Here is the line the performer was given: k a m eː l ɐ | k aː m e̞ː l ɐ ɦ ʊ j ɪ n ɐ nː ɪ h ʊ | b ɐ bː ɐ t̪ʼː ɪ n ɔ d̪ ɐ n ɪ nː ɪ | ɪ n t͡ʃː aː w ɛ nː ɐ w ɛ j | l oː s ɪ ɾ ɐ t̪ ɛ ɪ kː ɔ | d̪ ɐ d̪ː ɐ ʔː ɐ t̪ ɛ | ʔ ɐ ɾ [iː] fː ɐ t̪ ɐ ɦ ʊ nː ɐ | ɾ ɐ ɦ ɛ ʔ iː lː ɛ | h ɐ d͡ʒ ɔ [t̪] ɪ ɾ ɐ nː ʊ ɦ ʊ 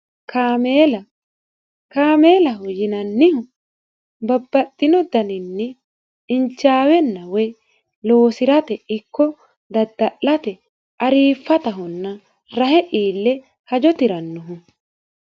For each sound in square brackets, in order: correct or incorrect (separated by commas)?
correct, correct